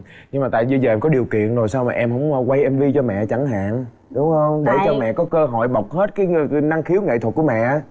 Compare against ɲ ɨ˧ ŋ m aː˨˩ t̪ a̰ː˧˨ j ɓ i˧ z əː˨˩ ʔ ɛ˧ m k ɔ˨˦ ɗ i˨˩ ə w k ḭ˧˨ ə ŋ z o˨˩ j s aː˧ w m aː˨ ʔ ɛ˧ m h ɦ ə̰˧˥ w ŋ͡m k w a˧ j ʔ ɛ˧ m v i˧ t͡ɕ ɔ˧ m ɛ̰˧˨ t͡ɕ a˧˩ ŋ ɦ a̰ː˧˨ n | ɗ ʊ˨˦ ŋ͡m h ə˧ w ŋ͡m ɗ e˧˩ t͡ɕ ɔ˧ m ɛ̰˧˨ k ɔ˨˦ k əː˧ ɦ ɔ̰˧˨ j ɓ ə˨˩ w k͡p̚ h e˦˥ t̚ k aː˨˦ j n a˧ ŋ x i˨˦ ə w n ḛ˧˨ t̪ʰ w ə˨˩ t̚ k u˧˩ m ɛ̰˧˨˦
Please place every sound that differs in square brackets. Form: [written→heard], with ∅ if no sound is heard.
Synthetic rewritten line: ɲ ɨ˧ ŋ m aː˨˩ t̪ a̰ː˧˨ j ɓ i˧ z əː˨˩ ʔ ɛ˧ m k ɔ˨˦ ɗ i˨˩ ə w k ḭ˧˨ ə [ŋ→n] z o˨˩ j s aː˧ w m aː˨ ʔ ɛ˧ m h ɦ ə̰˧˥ w ŋ͡m k w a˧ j ʔ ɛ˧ m v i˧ t͡ɕ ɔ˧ m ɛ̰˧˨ t͡ɕ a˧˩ ŋ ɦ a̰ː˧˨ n | ɗ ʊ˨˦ ŋ͡m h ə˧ w ŋ͡m ɗ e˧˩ t͡ɕ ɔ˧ m ɛ̰˧˨ k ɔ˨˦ k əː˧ ɦ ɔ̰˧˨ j ɓ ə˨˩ w k͡p̚ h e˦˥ t̚ k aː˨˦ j n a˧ ŋ x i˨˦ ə w [n→ŋ] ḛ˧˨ t̪ʰ w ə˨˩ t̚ k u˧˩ m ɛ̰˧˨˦